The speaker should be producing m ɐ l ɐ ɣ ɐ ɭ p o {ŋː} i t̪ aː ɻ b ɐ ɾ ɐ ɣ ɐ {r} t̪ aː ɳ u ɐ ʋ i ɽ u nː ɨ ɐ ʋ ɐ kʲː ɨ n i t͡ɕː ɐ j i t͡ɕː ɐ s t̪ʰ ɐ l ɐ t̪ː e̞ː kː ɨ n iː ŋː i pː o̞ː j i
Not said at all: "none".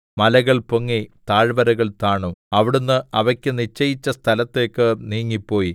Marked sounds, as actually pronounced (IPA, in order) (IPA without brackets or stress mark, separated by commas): ŋː, ɭ